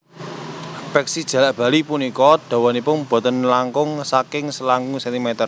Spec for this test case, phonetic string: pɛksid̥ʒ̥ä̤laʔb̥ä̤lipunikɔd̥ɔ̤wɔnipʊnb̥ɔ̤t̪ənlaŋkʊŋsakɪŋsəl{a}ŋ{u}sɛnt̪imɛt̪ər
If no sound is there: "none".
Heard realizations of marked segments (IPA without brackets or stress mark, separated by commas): a, u